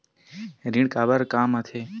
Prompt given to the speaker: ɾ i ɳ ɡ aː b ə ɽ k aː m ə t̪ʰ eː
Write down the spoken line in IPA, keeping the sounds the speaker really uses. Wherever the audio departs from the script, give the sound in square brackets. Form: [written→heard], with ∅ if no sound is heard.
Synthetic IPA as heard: ɾ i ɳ [ɡ→k] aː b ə [ɽ→ɾ] k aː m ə t̪ʰ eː